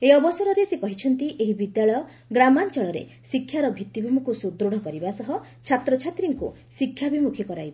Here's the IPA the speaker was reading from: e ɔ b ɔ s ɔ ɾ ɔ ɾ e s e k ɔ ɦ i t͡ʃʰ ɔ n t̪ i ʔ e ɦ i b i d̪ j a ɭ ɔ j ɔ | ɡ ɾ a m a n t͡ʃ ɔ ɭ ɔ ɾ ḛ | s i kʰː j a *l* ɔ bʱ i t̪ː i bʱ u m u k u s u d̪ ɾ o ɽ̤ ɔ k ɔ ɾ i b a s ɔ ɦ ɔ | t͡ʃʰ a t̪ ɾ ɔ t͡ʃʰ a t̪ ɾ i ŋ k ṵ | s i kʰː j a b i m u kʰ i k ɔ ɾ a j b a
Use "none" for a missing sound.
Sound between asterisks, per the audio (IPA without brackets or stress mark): ɾ